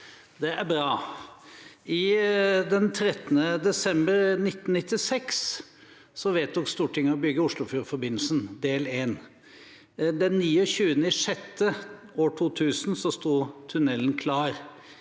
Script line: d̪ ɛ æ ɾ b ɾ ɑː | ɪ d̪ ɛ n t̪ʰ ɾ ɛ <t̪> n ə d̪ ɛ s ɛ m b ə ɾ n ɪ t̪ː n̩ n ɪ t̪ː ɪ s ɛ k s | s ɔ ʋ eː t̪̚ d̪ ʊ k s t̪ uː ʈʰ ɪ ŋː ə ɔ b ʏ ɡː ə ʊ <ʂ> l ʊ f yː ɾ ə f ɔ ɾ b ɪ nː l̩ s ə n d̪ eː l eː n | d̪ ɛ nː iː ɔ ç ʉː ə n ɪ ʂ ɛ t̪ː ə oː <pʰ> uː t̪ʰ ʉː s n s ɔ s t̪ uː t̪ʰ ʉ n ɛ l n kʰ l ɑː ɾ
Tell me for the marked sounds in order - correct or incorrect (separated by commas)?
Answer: correct, correct, incorrect